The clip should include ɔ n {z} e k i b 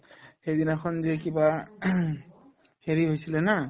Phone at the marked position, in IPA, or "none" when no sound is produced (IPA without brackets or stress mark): z